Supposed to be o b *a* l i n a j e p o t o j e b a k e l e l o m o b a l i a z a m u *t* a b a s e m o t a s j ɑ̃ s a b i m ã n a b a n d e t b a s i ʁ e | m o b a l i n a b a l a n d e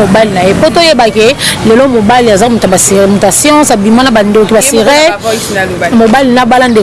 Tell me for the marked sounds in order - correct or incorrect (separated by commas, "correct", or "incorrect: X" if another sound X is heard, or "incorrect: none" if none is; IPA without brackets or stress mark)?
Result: correct, correct